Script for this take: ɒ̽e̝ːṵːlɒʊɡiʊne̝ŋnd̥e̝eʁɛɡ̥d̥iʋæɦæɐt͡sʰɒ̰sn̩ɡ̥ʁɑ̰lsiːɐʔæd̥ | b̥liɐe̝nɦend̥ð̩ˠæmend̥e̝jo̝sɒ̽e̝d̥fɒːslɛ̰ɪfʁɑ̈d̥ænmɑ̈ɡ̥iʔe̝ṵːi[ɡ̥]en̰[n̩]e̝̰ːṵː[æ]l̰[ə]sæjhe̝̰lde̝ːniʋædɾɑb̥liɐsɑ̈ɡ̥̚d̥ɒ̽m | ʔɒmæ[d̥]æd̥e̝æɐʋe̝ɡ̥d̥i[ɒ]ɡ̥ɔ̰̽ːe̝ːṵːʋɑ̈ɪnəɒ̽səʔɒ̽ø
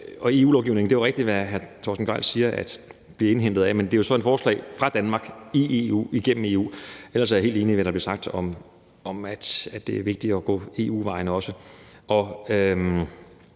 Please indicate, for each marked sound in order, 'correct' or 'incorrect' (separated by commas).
correct, incorrect, incorrect, incorrect, correct, correct